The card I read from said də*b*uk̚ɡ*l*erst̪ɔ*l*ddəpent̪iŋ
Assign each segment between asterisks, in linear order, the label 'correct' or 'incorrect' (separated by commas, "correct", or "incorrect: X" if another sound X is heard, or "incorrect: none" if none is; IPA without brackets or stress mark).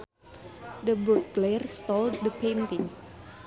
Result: correct, correct, correct